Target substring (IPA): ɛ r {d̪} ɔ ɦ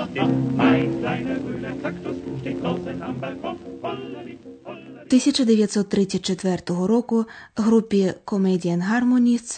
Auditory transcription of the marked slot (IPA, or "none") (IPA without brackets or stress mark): t̪